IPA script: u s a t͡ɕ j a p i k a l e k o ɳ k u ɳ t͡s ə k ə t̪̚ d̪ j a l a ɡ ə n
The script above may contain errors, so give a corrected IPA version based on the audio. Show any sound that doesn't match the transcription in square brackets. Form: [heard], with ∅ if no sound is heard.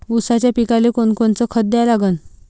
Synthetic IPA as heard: u s a t͡ɕ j a p i k a l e k o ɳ k [o] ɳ t͡s ə [kʰ] ə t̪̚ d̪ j a l a ɡ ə n